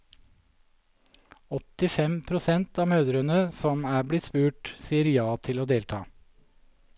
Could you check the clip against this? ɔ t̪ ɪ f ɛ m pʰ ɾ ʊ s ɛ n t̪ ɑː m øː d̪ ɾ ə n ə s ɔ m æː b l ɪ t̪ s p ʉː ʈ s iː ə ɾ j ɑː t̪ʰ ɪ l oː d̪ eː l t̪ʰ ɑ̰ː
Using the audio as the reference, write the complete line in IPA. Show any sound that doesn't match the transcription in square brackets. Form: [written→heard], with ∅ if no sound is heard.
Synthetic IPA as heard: ɔ t̪ ɪ f ɛ m pʰ ɾ ʊ s ɛ n t̪ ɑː m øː d̪ ɾ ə n ə s ɔ m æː b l ɪ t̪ s p ʉː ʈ s iː ə ɾ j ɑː t̪ʰ ɪ l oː d̪ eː l t̪ʰ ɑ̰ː